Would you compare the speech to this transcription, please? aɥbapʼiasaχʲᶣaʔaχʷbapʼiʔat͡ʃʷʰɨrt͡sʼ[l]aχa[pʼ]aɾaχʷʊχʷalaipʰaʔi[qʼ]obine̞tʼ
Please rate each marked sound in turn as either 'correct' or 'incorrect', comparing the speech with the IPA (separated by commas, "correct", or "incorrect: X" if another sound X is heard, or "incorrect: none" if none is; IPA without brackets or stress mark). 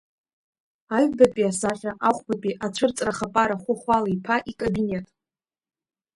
incorrect: r, correct, incorrect: kʼ